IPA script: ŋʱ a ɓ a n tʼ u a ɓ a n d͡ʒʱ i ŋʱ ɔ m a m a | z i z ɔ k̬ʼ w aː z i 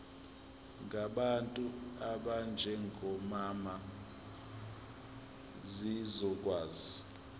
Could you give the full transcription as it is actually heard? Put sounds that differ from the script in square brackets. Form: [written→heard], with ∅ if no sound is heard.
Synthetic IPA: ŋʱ a ɓ a n tʼ u a ɓ a n d͡ʒʱ [i→ɛ] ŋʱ ɔ m a m a | z i z ɔ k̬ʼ w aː z i